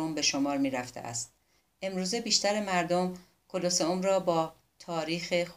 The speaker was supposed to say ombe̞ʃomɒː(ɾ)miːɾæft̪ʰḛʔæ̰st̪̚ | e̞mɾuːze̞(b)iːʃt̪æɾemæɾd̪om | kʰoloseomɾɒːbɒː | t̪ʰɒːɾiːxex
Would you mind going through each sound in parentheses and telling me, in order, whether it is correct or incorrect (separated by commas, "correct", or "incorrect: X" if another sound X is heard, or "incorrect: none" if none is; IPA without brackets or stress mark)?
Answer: correct, correct